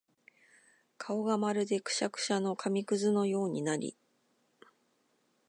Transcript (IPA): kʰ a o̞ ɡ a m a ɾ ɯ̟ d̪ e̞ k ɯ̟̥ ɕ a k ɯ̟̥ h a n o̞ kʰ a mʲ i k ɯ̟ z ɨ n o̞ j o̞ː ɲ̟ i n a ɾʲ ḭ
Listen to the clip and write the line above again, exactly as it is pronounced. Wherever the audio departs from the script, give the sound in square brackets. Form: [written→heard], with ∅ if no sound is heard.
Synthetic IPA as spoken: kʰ a o̞ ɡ a m a ɾ ɯ̟ d̪ e̞ k ɯ̟̥ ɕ a k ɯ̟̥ [h→ɕ] a n o̞ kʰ a mʲ i k ɯ̟ z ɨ n o̞ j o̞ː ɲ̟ i n a ɾʲ ḭ